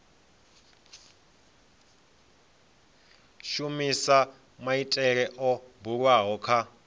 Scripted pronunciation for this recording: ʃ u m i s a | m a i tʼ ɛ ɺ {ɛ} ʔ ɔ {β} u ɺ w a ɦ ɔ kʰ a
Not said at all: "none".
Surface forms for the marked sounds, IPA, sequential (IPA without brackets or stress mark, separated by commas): ɛ, b